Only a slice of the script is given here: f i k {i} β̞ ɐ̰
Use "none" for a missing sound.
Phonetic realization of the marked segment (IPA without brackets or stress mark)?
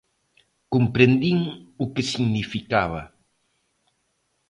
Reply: a